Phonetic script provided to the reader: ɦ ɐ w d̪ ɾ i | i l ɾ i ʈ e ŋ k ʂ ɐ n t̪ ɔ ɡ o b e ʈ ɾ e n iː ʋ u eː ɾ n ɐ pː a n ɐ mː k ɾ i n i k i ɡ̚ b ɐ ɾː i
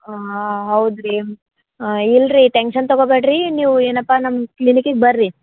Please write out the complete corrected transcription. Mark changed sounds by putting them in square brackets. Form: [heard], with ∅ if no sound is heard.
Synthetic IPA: ɦ ɐ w d̪ ɾ i | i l ɾ i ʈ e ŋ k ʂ ɐ n t̪ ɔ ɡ o b e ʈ ɾ [i] n iː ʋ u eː [∅] n ɐ pː a n ɐ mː k [l] i n i k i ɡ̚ b ɐ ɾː i

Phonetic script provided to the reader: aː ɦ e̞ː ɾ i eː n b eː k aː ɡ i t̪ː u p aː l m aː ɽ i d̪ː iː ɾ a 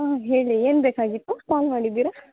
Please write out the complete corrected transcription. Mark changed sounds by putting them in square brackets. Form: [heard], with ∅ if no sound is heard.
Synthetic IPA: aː ɦ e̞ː [ɭ] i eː n b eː k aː ɡ i t̪ː u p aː l m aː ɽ i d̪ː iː ɾ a

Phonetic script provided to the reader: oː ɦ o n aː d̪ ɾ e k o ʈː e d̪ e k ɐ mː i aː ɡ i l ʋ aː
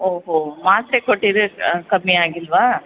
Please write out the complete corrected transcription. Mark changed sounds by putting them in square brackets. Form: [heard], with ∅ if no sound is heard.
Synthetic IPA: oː ɦ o [m] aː [t̪] ɾ e k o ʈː [i] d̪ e k ɐ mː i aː ɡ i l ʋ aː

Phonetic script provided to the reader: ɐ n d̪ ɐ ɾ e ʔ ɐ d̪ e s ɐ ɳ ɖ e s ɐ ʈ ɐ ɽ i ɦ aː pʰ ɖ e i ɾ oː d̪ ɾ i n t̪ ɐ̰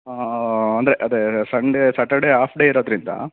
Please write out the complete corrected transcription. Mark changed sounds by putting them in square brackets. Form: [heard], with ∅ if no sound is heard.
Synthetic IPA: ɐ n d̪ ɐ ɾ e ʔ ɐ d̪ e s ɐ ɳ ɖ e s ɐ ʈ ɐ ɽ [e] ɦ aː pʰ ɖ e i ɾ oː d̪ ɾ i n [d̪] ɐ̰

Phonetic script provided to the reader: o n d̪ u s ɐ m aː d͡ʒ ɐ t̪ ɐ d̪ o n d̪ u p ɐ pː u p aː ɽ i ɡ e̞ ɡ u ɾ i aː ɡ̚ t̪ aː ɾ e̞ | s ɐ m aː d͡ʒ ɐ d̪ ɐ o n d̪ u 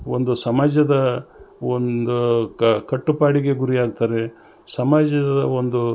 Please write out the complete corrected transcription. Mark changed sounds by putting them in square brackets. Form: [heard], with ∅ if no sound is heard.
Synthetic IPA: o n d̪ u s ɐ m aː d͡ʒ ɐ [d̪] ɐ [∅] o n d̪ u [k] ɐ [ʈː] u p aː ɽ i ɡ e̞ ɡ u ɾ i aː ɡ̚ t̪ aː ɾ e̞ | s ɐ m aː d͡ʒ ɐ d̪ ɐ o n d̪ u

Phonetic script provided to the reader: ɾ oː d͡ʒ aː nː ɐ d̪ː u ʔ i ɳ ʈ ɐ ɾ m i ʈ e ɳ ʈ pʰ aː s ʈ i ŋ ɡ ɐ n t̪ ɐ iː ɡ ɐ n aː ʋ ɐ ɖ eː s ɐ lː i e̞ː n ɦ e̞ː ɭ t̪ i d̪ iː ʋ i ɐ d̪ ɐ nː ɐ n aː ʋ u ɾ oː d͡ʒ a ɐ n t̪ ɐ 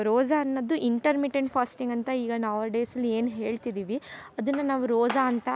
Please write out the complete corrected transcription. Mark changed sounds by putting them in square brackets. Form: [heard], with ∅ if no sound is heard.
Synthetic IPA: ɾ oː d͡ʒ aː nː ɐ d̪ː u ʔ i ɳ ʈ ɐ ɾ m i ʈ e ɳ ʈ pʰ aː s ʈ i ŋ ɡ ɐ n t̪ ɐ iː ɡ ɐ n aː ʋ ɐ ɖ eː s ɐ lː i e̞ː n ɦ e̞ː ɭ t̪ i d̪ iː ʋ i ɐ d̪ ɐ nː ɐ n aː ʋ u ɾ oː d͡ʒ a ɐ n t̪ ɐ

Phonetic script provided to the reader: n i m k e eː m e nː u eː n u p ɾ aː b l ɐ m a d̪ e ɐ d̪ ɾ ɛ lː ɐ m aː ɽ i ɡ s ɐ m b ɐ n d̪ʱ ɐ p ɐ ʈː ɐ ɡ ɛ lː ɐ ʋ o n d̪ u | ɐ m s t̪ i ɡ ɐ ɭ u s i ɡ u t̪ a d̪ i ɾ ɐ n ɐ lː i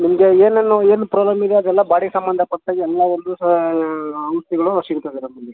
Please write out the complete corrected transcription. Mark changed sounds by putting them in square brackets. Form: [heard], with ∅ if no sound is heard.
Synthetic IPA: n i m [ɡ] e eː [n] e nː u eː n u p ɾ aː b l ɐ m [i] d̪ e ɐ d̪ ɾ ɛ lː ɐ [b] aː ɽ i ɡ s ɐ m b ɐ n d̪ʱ ɐ p ɐ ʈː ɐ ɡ ɛ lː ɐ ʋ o n d̪ u | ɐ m s t̪ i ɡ ɐ ɭ u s i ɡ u t̪ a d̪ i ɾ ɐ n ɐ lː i

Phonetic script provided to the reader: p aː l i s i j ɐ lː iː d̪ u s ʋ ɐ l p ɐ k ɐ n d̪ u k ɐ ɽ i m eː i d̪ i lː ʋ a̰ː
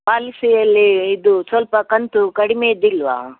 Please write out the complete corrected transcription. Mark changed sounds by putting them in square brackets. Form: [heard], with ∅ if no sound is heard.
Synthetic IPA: p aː l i s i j ɐ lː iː d̪ u s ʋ ɐ l p ɐ k ɐ n [t̪] u k ɐ ɽ i m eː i d̪ i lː ʋ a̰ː

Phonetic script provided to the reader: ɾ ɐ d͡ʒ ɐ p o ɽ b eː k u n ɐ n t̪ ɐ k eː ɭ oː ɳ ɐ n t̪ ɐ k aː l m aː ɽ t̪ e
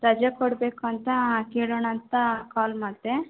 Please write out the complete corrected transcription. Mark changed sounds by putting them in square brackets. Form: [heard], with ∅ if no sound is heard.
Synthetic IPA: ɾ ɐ d͡ʒ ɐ [k] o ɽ b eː k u [∅] ɐ n t̪ ɐ k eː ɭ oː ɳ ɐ n t̪ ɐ k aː l m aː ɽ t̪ e

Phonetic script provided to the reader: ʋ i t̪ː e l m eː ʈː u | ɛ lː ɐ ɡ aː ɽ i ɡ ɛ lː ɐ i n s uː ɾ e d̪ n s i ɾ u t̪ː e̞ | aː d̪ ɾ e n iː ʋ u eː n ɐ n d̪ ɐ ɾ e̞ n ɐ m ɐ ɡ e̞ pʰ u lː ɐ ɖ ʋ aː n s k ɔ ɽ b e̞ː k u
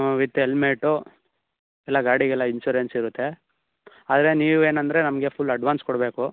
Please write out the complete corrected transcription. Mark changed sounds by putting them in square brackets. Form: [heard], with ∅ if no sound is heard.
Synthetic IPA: ʋ i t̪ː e l m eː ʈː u | ɛ lː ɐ ɡ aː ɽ i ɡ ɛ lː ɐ i n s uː ɾ e [∅] n s i ɾ u t̪ː e̞ | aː d̪ ɾ e n iː ʋ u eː n ɐ n d̪ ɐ ɾ e̞ n ɐ m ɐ ɡ e̞ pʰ u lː ɐ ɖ ʋ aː n s k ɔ ɽ b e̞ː k u

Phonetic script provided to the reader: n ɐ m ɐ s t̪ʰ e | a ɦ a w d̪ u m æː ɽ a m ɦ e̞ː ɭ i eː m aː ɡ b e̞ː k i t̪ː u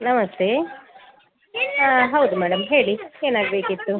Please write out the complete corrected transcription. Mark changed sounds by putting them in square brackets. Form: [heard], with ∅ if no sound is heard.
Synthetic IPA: n ɐ m ɐ s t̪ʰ e | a ɦ [ɐ] w d̪ u m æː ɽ [ɐ] m ɦ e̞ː ɭ i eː [n] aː ɡ b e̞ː k i t̪ː u

